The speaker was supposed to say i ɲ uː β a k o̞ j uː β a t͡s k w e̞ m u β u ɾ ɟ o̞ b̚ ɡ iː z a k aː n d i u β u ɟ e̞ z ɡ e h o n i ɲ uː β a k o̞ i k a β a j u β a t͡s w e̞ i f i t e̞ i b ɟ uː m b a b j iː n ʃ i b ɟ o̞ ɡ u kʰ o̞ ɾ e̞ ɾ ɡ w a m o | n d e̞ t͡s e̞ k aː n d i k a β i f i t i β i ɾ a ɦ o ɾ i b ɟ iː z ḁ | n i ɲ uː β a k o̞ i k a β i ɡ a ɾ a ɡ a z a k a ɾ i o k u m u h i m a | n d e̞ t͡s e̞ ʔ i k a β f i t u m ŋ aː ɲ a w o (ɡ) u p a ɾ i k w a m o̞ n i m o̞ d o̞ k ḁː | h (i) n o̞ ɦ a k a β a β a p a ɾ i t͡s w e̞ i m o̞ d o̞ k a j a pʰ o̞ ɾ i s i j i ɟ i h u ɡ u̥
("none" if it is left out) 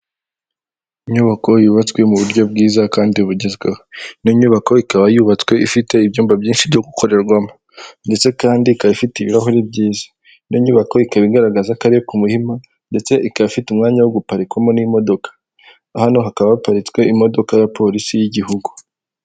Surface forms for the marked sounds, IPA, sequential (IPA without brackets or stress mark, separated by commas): ɡ, a